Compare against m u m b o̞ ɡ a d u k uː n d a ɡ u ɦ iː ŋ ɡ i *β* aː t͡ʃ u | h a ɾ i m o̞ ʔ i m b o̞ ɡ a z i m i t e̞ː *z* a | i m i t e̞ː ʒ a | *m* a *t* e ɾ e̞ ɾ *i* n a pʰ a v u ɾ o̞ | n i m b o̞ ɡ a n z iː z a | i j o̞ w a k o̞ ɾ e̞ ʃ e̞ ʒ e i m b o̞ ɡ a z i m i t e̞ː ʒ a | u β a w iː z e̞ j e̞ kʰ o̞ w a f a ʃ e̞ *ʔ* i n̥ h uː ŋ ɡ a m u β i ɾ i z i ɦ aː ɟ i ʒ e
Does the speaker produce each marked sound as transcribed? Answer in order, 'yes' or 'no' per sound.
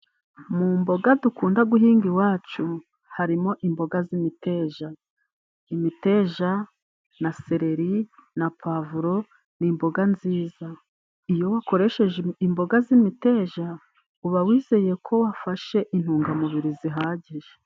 no, no, no, no, yes, yes

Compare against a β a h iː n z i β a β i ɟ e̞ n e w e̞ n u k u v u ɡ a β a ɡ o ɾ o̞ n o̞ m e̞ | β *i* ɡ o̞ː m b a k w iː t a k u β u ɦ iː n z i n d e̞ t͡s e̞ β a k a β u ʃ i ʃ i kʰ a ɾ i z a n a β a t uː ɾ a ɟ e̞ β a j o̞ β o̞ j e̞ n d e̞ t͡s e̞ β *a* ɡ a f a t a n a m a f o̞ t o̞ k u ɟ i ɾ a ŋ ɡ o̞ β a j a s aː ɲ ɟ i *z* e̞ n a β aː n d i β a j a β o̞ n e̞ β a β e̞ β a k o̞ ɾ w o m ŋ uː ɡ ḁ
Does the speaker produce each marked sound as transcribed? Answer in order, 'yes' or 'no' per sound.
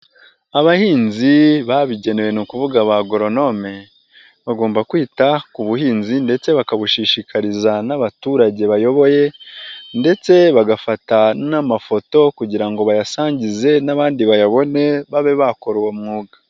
no, yes, yes

